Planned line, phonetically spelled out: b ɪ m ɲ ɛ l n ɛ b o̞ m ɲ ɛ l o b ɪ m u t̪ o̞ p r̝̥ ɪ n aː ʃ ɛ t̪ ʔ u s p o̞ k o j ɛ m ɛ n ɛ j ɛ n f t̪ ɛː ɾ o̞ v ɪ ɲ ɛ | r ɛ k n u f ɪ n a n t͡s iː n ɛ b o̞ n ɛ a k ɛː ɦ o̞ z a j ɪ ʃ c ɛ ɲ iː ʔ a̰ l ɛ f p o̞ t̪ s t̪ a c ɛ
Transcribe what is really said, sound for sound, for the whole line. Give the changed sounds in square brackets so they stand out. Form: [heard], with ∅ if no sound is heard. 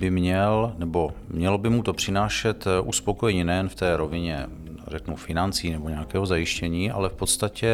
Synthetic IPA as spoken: b ɪ m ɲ ɛ l n ɛ b o̞ m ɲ ɛ l o b ɪ m u t̪ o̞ p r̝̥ ɪ n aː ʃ ɛ t̪ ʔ u s p o̞ k o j ɛ [ɲ] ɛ n ɛ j ɛ n f t̪ ɛː ɾ o̞ v ɪ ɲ ɛ | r ɛ k n u f ɪ n a n t͡s iː n ɛ b o̞ [ɲ] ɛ a k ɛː ɦ o̞ z a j ɪ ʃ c ɛ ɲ iː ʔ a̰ l ɛ f p o̞ t̪ s t̪ a c ɛ